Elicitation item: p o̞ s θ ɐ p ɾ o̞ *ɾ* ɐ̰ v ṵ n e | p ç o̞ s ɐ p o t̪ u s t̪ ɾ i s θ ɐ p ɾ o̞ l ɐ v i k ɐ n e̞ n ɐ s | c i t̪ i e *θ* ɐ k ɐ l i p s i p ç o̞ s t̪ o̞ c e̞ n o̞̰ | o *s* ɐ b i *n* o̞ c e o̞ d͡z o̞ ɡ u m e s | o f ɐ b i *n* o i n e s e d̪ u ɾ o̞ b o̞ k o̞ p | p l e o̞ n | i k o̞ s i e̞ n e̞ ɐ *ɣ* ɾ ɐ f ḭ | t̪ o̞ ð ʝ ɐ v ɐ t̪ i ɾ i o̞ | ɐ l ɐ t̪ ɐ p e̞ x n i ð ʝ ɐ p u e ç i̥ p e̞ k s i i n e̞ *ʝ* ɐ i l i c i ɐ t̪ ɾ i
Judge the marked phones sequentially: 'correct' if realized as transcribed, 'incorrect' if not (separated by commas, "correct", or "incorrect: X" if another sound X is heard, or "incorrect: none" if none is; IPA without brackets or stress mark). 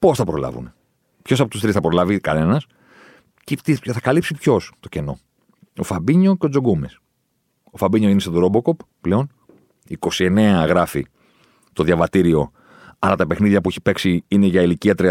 incorrect: l, correct, incorrect: f, incorrect: ɲ, incorrect: ɲ, correct, correct